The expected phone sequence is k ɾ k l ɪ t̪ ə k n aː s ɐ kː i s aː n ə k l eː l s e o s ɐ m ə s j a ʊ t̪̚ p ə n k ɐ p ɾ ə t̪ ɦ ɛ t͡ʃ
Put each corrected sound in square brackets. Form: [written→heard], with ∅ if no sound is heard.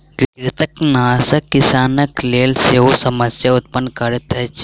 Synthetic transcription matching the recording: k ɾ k [l→ɾ] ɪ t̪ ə k n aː s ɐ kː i s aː n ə k l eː l s e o s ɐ m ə s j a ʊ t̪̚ p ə n k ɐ [p→∅] ɾ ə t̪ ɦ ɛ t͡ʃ